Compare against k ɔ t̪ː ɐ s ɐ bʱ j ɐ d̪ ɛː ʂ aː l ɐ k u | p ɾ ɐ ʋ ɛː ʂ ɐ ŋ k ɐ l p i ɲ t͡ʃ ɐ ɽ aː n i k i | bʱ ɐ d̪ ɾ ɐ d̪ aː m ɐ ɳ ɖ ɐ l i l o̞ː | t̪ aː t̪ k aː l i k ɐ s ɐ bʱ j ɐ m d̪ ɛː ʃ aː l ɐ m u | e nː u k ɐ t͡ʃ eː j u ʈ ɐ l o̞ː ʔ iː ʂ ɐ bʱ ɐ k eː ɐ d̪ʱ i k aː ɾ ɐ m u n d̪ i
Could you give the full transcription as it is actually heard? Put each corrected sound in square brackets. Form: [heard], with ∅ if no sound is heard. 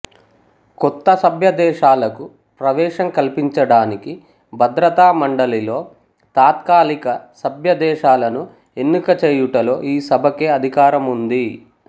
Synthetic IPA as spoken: k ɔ t̪ː ɐ s ɐ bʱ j ɐ d̪ ɛː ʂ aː l ɐ k u | p ɾ ɐ ʋ ɛː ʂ ɐ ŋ k ɐ l p i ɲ t͡ʃ ɐ ɽ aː n i k i | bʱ ɐ d̪ ɾ ɐ [t̪] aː m ɐ ɳ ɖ ɐ l i l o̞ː | t̪ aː t̪ k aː l i k ɐ s ɐ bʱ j ɐ [∅] d̪ ɛː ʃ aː l ɐ [n] u | e nː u k ɐ t͡ʃ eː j u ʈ ɐ l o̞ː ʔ iː [s] ɐ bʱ ɐ k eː ɐ d̪ʱ i k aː ɾ ɐ m u n d̪ i